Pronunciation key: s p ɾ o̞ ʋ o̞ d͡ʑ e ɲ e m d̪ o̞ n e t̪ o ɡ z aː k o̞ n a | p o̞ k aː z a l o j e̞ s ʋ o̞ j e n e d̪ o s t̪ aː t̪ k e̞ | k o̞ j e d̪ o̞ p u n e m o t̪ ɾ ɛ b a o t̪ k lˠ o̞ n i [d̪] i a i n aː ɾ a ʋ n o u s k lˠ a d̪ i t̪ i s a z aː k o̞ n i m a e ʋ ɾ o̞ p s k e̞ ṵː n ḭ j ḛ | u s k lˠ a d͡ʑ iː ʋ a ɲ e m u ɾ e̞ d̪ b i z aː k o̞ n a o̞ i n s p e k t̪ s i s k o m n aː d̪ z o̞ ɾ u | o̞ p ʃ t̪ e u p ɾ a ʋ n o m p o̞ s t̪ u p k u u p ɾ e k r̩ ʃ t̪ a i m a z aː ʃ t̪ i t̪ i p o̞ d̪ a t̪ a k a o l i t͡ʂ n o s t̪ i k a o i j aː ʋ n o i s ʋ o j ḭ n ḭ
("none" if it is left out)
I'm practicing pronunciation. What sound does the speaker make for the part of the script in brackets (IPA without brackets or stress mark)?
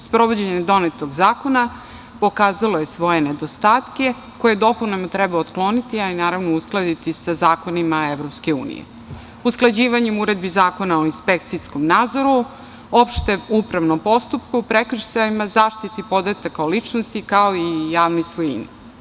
t̪